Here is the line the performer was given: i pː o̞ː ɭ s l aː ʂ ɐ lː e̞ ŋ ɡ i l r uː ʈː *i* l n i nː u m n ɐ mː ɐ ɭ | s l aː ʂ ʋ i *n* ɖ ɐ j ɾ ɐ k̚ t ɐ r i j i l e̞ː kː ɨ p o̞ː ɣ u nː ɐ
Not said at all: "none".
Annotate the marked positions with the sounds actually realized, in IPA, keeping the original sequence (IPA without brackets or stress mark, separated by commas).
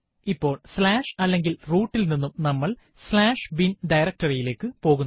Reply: i, n